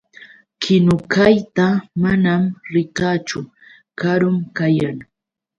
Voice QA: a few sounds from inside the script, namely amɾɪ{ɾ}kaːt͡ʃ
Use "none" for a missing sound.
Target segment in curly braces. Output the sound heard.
none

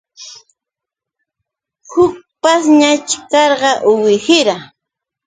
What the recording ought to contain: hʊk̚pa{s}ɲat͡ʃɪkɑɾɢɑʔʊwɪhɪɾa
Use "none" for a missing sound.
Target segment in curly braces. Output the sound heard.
s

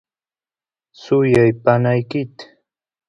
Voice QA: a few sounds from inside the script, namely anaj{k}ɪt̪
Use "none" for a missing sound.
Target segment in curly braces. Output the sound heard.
k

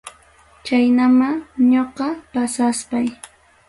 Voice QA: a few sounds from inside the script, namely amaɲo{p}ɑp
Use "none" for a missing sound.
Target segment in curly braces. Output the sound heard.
q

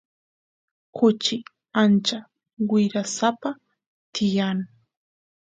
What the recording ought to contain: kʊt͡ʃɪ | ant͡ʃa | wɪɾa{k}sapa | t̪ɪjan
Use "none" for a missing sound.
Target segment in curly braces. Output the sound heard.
none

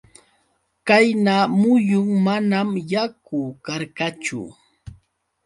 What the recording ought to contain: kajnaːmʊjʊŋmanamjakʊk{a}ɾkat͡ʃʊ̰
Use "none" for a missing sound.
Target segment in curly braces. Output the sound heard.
a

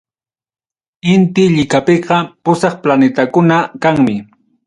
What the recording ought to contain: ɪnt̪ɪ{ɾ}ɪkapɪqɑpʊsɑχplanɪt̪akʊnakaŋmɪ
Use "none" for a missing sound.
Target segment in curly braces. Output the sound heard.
ʎ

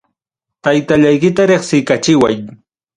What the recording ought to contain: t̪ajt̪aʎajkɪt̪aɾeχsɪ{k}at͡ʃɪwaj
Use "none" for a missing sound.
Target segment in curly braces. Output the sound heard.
k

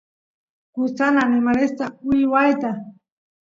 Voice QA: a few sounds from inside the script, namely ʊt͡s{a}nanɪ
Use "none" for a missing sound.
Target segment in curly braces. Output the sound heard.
a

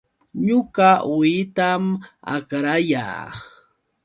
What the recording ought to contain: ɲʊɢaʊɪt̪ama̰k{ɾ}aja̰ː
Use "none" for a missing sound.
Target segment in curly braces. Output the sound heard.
ɾ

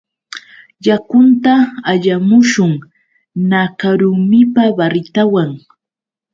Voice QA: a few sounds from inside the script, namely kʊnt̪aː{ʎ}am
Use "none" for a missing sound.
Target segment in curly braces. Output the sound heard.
ʎ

